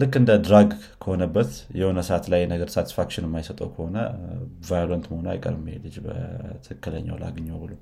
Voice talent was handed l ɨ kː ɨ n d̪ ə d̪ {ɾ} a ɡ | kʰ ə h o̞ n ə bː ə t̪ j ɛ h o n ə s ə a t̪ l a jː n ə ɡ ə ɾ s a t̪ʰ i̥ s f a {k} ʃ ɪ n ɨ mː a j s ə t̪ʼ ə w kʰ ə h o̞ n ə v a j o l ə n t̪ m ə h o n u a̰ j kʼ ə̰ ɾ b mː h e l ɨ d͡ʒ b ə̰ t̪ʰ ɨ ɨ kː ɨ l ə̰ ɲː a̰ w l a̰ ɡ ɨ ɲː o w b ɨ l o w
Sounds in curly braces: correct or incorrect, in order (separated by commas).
correct, correct